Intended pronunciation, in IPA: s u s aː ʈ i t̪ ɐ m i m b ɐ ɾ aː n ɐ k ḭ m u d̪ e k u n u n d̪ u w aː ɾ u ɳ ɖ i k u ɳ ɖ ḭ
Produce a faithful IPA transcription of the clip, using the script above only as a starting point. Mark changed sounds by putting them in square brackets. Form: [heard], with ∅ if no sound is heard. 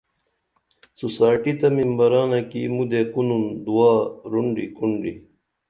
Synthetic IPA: s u s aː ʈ i t̪ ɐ m i m b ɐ ɾ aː n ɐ k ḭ m u d̪ e k u n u n d̪ u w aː ɾ u ɳ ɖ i k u ɳ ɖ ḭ